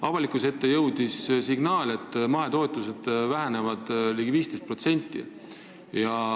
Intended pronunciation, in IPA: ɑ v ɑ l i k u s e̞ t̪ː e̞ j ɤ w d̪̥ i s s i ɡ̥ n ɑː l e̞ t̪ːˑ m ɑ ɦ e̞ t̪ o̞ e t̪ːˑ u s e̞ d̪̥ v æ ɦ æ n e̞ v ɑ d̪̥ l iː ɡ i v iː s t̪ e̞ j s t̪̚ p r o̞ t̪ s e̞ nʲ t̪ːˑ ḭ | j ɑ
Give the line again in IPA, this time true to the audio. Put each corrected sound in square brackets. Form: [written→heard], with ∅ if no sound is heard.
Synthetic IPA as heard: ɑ v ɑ l i k u s e̞ t̪ː e̞ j ɤ w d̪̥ i s s i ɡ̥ n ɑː l e̞ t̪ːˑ m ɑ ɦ e̞ t̪ o̞ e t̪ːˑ u s e̞ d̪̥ v æ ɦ æ n e̞ v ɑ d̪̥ l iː ɡ i v iː s t̪ e̞ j s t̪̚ p r o̞ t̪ s e̞ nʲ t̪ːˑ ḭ | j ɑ